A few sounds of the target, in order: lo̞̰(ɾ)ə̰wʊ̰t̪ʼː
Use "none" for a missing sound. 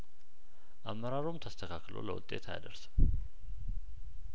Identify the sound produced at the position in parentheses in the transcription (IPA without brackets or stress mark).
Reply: l